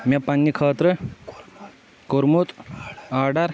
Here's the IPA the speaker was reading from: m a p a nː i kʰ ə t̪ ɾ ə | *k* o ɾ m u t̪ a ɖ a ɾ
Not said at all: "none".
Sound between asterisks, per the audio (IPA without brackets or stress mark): k